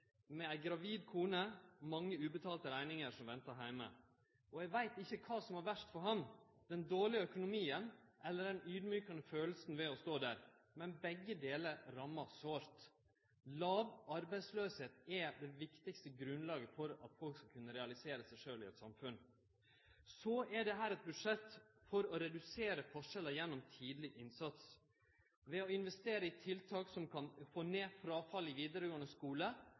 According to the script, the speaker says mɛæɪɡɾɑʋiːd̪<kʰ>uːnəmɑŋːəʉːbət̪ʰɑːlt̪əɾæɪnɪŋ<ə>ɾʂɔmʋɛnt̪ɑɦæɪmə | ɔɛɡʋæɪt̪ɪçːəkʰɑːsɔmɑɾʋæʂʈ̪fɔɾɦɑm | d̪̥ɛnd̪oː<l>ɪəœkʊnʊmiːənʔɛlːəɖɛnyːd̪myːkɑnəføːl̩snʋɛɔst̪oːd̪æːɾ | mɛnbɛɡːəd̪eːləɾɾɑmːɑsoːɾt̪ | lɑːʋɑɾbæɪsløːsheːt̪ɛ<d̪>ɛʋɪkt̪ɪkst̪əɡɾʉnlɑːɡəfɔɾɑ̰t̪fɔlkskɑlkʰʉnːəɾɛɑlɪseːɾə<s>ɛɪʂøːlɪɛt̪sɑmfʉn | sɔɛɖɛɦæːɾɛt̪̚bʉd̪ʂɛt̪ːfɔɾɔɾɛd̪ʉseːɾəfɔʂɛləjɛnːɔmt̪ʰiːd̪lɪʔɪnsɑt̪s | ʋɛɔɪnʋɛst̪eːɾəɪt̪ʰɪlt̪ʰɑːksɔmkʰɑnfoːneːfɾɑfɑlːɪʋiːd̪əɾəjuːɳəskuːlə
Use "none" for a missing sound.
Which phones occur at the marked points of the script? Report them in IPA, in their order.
kʰ, ə, ɭ, d̪, s

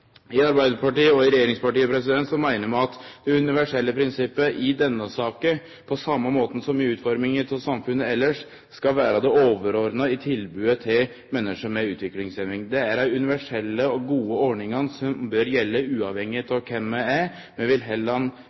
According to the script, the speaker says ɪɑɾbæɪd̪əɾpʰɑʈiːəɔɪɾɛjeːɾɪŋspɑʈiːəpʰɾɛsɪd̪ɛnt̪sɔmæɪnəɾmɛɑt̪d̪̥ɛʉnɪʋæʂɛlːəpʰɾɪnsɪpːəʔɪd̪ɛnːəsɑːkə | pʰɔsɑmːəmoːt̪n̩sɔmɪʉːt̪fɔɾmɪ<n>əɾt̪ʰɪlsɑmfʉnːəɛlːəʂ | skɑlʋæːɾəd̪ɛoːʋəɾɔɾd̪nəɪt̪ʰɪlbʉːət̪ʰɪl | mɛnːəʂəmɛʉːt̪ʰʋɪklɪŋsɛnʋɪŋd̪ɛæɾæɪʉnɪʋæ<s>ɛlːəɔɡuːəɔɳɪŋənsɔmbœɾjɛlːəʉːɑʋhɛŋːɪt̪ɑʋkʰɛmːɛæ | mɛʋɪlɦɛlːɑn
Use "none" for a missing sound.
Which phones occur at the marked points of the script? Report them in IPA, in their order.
ŋ, ʂ

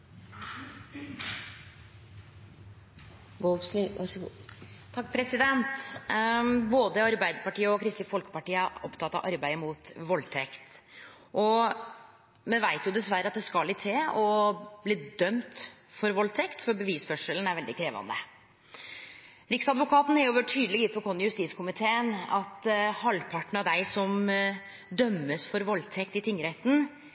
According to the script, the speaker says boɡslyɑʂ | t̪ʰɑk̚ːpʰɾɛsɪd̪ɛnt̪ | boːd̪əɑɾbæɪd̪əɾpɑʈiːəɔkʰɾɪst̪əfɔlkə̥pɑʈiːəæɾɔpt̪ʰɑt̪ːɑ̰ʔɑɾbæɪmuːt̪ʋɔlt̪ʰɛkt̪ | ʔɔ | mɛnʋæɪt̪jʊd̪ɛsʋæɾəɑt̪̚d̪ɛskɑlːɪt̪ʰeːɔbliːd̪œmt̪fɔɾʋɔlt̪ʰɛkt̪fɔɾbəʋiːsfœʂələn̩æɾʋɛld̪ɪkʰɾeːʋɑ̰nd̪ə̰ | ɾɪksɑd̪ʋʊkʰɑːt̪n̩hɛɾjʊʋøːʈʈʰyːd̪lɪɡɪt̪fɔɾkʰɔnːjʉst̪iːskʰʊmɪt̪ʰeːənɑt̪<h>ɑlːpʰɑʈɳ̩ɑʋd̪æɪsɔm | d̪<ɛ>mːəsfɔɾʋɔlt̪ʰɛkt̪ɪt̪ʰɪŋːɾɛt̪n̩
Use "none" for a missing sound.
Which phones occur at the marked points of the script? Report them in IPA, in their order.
h, œ

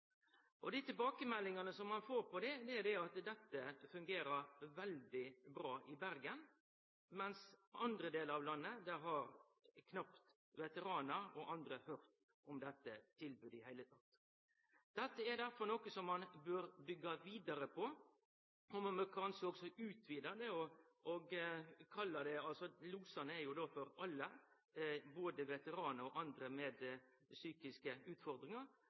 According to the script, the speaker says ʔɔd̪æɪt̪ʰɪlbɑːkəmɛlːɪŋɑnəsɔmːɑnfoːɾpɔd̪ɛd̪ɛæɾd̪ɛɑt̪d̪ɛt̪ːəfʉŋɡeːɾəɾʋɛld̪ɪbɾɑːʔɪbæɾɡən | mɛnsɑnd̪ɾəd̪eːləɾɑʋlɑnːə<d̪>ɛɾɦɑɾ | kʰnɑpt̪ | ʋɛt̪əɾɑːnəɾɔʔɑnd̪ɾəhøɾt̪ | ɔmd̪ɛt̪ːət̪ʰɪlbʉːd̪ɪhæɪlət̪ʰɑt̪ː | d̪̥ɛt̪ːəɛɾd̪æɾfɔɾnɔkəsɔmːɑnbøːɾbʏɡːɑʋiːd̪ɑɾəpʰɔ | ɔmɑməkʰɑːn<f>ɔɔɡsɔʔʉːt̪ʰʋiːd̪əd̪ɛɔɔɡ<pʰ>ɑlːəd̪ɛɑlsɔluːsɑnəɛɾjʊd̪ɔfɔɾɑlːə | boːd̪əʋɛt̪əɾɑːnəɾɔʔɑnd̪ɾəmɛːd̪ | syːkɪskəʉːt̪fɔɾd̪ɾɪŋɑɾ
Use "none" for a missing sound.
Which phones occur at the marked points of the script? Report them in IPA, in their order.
d̪, s, kʰ

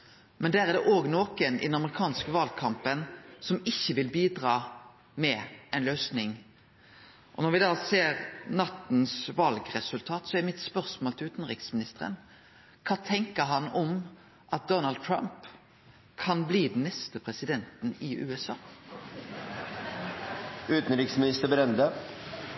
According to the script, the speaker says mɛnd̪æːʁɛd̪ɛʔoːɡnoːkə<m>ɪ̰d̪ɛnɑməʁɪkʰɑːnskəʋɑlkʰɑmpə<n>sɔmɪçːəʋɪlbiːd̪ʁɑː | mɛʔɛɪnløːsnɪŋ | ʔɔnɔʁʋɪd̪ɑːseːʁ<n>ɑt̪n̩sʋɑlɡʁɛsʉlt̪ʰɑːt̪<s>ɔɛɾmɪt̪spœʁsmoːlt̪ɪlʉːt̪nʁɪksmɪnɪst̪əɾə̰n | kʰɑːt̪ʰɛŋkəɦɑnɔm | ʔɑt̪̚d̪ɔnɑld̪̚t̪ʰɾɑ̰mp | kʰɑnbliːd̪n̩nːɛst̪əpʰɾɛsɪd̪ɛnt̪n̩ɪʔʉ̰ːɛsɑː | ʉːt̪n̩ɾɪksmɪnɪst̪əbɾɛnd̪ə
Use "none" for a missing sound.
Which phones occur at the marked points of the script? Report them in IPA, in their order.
n, n, n, s

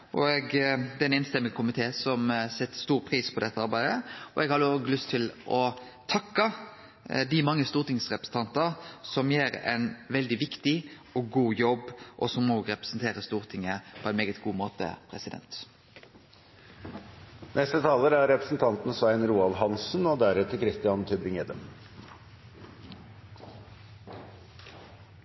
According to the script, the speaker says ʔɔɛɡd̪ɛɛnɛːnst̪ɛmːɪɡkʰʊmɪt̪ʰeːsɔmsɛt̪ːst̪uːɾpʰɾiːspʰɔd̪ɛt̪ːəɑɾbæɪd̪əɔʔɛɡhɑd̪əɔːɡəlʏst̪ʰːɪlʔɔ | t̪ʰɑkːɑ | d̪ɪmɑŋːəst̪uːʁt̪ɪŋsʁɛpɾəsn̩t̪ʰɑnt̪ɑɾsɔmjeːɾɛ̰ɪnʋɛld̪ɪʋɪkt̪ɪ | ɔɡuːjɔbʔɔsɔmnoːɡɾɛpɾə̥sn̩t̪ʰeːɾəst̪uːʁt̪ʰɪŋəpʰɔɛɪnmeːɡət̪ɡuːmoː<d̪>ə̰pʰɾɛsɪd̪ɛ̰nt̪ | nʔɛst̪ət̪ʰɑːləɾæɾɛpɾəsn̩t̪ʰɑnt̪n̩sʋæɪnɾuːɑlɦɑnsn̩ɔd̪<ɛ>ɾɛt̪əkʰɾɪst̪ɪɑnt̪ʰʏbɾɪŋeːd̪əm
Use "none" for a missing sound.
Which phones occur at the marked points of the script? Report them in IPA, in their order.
t̪, æ

